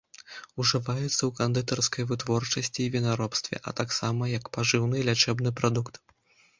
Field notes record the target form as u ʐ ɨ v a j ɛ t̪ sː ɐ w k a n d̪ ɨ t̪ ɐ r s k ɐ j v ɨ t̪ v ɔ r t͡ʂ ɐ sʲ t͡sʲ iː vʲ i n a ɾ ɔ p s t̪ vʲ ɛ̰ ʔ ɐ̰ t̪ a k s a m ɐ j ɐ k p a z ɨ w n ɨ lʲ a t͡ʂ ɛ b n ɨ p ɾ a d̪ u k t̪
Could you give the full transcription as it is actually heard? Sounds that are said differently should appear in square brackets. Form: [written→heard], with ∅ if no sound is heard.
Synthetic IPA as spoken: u ʐ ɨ v a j ɛ t̪ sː ɐ w k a n d̪ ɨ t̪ ɐ r s k ɐ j v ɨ t̪ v ɔ r t͡ʂ ɐ sʲ t͡sʲ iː vʲ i n a ɾ ɔ p s t̪ vʲ ɛ̰ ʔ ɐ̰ t̪ a k s a m ɐ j ɐ k p a [z→ʐ] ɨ w n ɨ lʲ a t͡ʂ ɛ b n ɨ p ɾ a d̪ u k t̪